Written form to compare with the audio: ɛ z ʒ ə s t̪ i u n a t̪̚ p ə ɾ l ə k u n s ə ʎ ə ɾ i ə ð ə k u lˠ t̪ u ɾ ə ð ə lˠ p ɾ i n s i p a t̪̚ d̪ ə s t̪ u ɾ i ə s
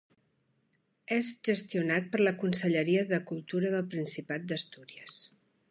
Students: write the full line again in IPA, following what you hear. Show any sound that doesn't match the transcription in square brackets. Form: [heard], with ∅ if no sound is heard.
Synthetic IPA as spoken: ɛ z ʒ ə s t̪ i u n a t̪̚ p ə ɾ l ə k u n s ə ʎ ə ɾ i ə ð ə k u lˠ t̪ u ɾ ə ð ə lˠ p ɾ i n s i p a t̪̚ d̪ ə s t̪ u ɾ i ə s